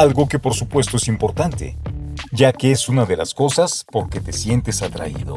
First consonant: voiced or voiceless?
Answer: voiced